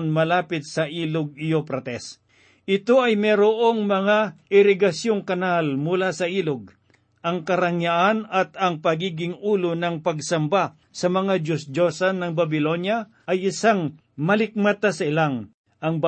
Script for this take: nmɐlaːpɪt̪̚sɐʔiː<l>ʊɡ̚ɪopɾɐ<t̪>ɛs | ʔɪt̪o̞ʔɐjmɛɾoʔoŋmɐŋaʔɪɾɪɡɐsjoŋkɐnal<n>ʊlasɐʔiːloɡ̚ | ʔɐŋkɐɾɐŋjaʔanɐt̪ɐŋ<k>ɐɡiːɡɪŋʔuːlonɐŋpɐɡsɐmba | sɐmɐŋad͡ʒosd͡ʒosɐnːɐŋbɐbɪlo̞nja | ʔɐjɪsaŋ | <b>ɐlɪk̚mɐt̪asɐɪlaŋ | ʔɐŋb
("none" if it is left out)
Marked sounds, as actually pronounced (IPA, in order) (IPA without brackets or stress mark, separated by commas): l, t̪, m, p, m